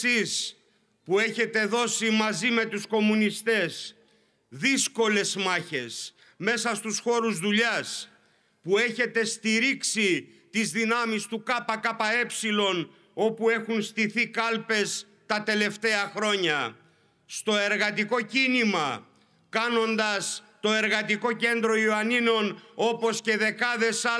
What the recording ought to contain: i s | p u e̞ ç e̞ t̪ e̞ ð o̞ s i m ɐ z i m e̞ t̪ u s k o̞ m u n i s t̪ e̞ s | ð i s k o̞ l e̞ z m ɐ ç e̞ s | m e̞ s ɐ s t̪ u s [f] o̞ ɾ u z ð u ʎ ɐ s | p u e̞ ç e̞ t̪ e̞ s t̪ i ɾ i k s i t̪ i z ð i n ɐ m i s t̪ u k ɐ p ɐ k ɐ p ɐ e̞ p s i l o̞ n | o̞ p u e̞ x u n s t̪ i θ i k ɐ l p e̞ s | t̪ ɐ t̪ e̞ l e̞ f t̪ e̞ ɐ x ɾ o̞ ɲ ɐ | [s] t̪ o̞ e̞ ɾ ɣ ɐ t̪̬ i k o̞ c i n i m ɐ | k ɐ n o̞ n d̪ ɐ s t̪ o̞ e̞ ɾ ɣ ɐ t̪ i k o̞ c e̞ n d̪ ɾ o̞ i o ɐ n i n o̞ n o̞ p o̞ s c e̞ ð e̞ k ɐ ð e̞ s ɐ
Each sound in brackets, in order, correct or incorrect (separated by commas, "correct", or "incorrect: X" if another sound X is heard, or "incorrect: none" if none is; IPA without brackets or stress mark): incorrect: x, correct